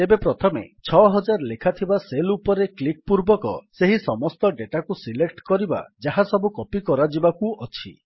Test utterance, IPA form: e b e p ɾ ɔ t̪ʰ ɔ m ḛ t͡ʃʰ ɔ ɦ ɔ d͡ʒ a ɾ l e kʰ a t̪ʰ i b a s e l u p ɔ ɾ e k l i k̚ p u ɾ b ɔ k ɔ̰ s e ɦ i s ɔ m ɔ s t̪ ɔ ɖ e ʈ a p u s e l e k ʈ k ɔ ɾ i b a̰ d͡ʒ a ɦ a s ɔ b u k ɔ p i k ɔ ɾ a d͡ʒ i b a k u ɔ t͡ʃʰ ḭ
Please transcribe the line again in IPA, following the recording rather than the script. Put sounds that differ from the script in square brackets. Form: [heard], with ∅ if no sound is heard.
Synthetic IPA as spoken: e b e p ɾ ɔ t̪ʰ ɔ m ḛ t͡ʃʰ ɔ ɦ ɔ d͡ʒ a ɾ l e kʰ a t̪ʰ i b a s e l u p ɔ ɾ e k l i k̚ p u ɾ b ɔ k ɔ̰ s e ɦ i s ɔ m ɔ s t̪ ɔ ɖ e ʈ a [k] u s [i] l e k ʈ k ɔ ɾ i b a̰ d͡ʒ a ɦ a s ɔ b u k ɔ p i k ɔ ɾ a d͡ʒ i b a k u ɔ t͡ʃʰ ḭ